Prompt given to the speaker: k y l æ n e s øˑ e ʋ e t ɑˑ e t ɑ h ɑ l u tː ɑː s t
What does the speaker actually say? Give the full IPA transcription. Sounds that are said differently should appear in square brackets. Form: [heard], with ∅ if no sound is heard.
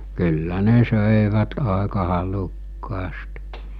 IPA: k y [lː] æ n e s øˑ e ʋ [æ] t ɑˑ e [k] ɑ h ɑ l u [kː] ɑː s t